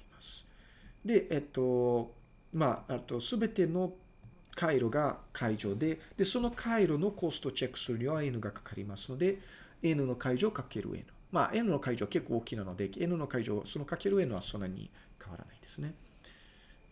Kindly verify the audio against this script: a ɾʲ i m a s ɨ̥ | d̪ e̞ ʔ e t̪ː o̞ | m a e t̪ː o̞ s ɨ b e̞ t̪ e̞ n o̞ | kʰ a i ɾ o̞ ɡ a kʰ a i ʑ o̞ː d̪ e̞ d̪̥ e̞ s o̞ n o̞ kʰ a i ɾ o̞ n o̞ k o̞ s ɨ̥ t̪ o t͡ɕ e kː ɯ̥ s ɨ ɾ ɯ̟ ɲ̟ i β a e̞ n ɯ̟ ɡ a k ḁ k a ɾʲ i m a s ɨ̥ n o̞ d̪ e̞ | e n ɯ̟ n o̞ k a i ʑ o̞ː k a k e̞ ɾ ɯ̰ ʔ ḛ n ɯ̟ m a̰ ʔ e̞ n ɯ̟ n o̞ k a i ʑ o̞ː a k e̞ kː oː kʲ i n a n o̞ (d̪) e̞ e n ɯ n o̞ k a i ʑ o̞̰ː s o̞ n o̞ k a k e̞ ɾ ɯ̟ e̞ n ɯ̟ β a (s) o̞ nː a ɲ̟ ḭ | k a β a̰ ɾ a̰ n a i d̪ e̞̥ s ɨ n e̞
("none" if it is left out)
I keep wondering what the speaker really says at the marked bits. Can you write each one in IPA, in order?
d̪, s

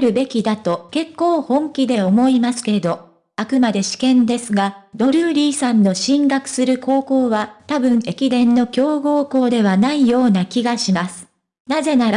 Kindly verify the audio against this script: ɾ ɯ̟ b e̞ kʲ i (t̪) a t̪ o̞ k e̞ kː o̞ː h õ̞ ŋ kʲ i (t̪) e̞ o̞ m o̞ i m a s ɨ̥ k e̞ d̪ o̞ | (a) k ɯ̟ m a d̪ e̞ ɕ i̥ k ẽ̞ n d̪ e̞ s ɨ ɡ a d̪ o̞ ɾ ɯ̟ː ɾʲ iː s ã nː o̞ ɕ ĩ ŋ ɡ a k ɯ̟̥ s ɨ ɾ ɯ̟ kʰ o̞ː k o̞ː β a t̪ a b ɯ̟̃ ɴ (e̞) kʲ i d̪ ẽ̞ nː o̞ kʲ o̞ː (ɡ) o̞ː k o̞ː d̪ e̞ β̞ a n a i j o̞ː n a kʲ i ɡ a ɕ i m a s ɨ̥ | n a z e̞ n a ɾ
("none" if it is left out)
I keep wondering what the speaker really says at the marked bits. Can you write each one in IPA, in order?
d̪, d̪, a, e̞, ɡ

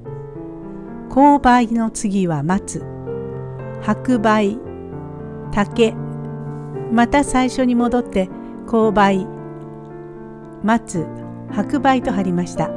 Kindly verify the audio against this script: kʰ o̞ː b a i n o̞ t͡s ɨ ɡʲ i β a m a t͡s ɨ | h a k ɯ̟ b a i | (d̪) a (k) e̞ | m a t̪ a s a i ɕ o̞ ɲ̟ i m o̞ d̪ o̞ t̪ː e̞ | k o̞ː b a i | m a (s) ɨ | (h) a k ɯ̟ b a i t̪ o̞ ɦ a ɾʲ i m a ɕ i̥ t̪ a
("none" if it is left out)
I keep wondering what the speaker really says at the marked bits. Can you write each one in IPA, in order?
t̪, k, t͡s, h

